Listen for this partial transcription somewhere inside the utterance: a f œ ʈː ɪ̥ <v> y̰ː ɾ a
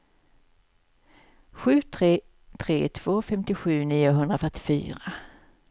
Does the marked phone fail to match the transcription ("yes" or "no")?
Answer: yes